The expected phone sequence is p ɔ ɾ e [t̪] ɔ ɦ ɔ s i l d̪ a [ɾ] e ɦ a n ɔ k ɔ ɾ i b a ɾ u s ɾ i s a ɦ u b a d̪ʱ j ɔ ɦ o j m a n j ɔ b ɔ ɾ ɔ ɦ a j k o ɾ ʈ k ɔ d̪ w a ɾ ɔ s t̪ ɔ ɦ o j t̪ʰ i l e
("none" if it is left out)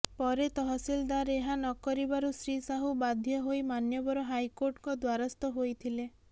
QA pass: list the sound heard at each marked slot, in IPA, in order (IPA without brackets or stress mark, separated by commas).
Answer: t̪, ɾ